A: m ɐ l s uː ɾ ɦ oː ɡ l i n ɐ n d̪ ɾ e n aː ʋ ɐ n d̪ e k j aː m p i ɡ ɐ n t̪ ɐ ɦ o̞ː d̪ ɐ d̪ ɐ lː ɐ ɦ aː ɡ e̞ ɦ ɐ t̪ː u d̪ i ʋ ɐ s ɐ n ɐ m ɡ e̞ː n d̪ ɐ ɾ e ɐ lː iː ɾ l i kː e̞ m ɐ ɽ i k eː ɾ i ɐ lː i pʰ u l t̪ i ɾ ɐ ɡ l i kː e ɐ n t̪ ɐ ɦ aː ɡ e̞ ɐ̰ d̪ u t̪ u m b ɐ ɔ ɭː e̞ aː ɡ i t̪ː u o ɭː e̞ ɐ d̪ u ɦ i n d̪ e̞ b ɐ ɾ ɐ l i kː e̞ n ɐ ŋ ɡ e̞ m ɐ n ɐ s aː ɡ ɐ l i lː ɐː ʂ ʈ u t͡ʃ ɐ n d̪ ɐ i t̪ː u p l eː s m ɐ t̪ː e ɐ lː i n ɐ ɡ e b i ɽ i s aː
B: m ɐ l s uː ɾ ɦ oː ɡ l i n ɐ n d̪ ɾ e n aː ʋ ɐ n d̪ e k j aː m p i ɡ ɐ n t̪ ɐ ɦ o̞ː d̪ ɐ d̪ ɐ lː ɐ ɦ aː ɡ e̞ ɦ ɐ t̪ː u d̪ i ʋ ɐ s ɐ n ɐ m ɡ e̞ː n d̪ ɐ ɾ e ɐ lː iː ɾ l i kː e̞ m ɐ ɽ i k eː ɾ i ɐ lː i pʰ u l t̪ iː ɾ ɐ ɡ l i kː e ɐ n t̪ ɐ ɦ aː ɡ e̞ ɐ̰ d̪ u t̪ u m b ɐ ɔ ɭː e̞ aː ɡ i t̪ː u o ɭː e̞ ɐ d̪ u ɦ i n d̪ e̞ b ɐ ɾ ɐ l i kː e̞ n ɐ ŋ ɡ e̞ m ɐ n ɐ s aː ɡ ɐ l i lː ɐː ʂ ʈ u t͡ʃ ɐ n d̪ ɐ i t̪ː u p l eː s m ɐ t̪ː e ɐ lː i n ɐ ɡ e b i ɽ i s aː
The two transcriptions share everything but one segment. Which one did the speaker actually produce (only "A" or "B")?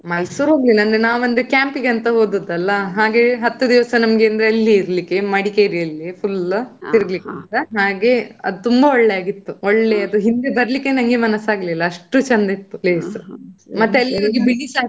A